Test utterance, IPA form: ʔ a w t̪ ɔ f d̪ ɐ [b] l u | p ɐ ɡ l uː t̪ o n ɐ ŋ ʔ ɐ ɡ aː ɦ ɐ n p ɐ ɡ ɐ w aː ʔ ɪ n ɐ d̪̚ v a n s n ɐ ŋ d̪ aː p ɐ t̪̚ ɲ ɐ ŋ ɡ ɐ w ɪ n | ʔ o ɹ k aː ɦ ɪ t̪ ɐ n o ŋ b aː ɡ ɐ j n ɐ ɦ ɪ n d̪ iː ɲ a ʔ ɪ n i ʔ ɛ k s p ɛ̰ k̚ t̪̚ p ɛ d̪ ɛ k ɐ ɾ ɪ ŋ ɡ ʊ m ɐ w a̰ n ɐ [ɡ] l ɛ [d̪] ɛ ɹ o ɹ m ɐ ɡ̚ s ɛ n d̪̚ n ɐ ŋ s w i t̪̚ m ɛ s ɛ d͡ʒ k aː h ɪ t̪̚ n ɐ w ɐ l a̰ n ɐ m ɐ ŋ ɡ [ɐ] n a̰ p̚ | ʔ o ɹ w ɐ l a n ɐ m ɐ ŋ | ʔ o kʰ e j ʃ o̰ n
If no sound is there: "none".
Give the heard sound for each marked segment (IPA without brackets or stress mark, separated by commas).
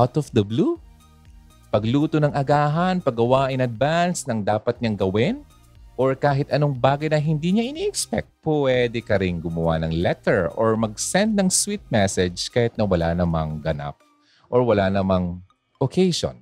b, ŋ, t̪, ɐ